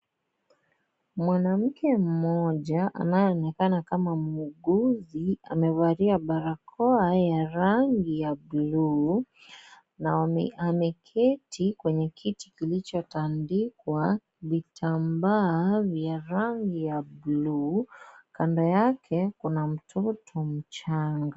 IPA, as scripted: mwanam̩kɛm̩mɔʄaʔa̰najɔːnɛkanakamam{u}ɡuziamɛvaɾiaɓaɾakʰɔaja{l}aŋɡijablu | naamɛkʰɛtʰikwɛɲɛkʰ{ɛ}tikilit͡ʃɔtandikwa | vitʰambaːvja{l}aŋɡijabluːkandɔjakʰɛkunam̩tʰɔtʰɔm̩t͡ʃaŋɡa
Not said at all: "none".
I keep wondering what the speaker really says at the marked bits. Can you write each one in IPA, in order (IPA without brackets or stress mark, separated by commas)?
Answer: u, ɾ, i, ɾ